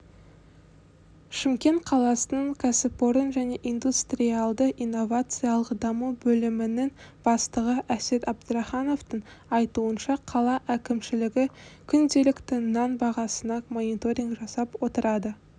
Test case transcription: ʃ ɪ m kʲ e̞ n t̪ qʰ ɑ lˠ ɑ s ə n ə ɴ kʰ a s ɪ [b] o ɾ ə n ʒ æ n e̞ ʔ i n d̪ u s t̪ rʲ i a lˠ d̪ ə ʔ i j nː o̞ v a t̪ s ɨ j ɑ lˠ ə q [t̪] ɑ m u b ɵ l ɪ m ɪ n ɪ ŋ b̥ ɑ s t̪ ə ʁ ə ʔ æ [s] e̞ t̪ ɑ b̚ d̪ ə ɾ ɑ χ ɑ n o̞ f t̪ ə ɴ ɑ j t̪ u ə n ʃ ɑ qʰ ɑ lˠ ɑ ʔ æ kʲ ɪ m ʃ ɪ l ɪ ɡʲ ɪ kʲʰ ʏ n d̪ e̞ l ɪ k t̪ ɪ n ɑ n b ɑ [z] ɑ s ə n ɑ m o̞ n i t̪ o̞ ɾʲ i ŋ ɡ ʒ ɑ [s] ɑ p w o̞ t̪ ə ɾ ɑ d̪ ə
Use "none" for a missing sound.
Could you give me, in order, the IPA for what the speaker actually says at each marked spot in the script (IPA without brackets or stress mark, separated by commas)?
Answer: p, d̪, s, ʁ, s